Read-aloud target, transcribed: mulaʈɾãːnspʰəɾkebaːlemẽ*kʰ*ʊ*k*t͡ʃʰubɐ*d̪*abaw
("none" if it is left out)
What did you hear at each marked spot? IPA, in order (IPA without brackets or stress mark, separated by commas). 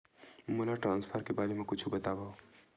k, none, t̪